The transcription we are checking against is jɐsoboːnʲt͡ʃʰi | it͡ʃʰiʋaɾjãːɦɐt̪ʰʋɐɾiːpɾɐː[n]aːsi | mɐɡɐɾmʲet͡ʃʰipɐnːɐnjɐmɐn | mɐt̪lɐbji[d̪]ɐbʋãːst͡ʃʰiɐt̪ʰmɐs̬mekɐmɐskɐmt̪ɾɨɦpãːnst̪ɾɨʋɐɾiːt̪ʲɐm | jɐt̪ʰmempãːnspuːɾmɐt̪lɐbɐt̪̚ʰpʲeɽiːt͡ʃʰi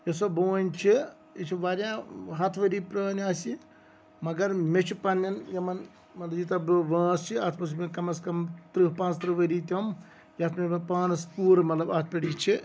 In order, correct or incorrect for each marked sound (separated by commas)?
correct, incorrect